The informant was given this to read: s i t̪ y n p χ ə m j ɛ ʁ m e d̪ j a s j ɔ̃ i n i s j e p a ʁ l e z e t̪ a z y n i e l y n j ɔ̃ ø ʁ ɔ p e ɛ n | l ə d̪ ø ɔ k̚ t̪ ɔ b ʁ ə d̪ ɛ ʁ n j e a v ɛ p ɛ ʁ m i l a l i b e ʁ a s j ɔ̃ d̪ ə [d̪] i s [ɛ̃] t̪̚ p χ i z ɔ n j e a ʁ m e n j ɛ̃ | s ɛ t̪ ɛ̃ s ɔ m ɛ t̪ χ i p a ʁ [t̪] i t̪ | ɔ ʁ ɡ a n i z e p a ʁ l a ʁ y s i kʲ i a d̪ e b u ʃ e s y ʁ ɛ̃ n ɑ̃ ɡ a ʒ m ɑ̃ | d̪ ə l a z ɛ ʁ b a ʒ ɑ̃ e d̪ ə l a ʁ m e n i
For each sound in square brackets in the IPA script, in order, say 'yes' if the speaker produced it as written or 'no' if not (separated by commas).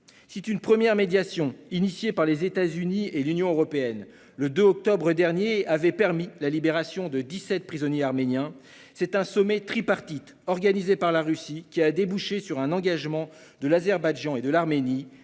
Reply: yes, no, yes